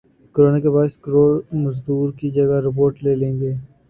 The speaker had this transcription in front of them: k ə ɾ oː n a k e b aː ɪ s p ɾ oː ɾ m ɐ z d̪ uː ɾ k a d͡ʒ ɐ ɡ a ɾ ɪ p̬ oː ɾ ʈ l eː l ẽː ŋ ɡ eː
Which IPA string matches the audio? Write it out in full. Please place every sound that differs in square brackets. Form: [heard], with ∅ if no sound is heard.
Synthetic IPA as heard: k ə ɾ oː n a k e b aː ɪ s [k] ɾ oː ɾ m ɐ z d̪ uː ɾ k [i] d͡ʒ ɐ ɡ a ɾ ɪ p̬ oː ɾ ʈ l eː l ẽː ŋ ɡ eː